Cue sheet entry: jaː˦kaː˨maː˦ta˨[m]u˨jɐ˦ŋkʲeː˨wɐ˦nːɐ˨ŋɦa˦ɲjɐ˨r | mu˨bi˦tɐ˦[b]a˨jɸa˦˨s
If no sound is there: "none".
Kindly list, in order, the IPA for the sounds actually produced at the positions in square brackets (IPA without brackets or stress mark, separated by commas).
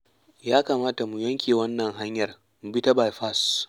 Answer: m, b